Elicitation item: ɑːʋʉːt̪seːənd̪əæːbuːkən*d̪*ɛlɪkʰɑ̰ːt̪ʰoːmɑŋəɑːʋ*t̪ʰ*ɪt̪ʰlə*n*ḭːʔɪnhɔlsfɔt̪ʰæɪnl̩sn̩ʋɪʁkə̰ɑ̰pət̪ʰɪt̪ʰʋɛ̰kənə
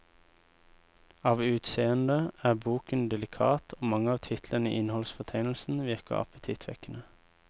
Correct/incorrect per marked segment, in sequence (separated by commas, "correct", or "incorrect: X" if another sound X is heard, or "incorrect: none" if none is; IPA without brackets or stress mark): correct, correct, correct